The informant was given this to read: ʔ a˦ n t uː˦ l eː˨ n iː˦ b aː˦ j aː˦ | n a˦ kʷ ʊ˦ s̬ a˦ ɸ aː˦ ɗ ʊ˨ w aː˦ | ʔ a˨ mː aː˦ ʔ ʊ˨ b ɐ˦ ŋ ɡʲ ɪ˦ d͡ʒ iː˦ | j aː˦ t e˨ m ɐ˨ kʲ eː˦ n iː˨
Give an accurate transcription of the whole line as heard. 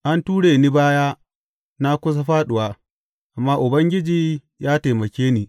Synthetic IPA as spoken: ʔ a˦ n t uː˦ ɽ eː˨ n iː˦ b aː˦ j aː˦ | n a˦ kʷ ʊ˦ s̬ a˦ ɸ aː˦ ɗ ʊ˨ w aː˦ | ʔ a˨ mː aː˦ ʔ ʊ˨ b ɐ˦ ŋ ɡʲ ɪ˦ d͡ʒ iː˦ | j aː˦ t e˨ m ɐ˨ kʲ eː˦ n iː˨